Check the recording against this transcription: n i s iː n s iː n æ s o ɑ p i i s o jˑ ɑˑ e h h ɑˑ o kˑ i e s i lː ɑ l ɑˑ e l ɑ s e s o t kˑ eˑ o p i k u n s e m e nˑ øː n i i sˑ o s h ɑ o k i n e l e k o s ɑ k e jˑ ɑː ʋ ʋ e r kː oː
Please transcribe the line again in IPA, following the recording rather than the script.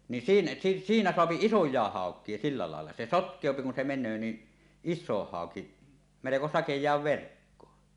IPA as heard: n i s iː n s iː n æ s o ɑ p i i s o jˑ ɑˑ e h h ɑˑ o kˑ i e s i lː ɑ l ɑˑ e lː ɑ s e s o t kˑ eˑ o p i k u n s e m e nˑ øː n i i sˑ o h h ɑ o k i m e l e k o s ɑ k e jˑ ɑː ʋ ʋ e r kː oː

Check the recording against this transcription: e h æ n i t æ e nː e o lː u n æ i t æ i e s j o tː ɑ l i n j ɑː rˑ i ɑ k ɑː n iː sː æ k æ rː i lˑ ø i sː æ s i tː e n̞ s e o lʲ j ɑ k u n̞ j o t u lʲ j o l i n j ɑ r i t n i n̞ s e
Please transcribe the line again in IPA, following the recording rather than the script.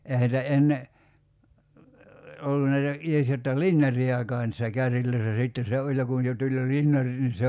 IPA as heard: e h æ n i t æ e nː e o lː u n æ i t æ i e s j o tː ɑ l i n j ɑ rˑ i ɑ k ɑː n iː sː æ k æ rː i lˑ ø i sː æ s i tː e n̞ s e o lʲ j ɑ k u n̞ j o t u lʲ j o l i n j ɑ r i t n i n̞ s e

